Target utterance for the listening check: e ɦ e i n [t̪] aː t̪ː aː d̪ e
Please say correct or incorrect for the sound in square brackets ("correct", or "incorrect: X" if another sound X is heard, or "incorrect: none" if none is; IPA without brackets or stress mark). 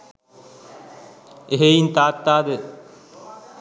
correct